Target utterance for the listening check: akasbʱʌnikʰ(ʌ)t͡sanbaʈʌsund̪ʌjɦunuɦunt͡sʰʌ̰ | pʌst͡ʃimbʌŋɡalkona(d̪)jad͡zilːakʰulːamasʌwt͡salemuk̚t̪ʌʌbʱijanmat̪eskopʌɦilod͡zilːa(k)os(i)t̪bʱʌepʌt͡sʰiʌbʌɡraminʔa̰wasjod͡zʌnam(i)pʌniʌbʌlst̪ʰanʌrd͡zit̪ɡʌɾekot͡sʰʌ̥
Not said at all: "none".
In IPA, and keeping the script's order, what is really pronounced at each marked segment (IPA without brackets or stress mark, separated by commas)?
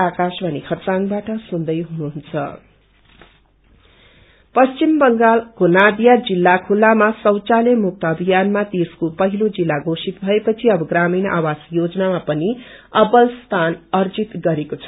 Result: ʌ, d̪, ɡ, i, a